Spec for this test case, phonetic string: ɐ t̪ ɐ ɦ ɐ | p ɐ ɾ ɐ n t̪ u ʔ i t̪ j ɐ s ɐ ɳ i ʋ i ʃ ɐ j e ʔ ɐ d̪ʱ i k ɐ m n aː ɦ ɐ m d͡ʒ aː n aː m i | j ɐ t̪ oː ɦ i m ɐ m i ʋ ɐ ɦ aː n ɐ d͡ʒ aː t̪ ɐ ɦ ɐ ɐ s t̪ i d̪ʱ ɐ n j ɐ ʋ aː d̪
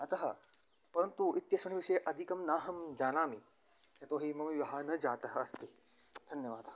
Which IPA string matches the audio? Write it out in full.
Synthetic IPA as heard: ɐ t̪ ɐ ɦ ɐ | p ɐ ɾ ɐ n t̪ u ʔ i t̪ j ɐ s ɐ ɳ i ʋ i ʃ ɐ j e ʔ ɐ d̪ʱ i k ɐ m n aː ɦ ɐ m d͡ʒ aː n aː m i | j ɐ t̪ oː ɦ i m ɐ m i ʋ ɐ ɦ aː n ɐ d͡ʒ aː t̪ ɐ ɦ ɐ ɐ s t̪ i d̪ʱ ɐ n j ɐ ʋ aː d̪